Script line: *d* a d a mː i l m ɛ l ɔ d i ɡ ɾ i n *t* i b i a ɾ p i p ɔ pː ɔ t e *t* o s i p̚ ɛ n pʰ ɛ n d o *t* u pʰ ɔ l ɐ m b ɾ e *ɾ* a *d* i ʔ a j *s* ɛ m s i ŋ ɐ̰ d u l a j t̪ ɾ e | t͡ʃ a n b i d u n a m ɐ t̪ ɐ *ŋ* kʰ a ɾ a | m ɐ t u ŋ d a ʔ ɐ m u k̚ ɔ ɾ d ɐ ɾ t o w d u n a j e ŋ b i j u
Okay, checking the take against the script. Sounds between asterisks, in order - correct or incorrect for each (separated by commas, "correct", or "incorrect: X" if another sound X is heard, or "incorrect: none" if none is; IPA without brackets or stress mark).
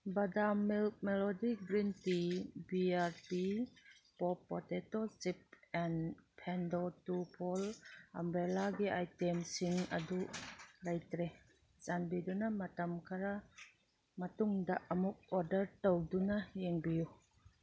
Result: incorrect: b, correct, correct, correct, incorrect: l, incorrect: ɡ, incorrect: t, incorrect: m